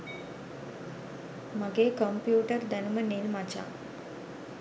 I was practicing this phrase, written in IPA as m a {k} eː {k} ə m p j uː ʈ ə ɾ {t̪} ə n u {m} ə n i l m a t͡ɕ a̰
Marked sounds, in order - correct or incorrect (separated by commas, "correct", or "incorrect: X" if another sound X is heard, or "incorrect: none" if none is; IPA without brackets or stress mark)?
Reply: incorrect: ɡ, correct, incorrect: d̪, correct